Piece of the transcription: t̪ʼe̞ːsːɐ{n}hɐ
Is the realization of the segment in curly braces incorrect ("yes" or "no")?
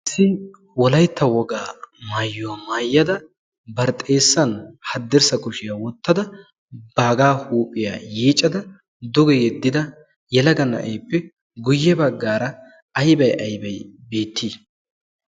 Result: no